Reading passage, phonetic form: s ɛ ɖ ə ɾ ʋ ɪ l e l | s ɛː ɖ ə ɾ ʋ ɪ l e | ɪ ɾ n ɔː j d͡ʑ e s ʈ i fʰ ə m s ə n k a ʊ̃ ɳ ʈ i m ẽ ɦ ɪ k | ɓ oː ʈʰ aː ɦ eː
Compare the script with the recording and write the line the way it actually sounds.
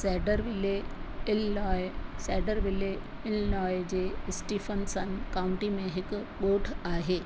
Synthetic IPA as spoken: s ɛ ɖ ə ɾ ʋ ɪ l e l | s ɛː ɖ ə ɾ ʋ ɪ l e | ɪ l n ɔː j d͡ʑ e s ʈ i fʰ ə n s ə n k a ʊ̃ ɳ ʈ i m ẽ ɦ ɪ k | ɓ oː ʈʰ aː ɦ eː